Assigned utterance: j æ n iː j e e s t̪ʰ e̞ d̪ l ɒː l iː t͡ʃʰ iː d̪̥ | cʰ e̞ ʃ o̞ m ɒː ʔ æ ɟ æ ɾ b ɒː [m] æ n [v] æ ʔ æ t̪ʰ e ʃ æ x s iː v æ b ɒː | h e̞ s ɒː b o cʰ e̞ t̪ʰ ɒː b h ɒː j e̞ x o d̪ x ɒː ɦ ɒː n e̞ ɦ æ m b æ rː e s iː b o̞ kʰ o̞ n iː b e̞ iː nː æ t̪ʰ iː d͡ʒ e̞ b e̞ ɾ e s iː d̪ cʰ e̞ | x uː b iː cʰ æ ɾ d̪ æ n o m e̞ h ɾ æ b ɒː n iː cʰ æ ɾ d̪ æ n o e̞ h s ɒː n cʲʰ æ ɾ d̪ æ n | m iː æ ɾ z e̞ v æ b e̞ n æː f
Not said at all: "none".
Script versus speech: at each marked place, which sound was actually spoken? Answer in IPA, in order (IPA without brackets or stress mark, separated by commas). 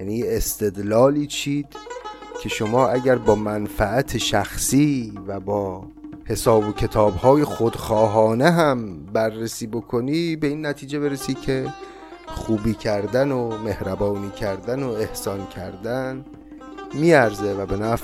m, f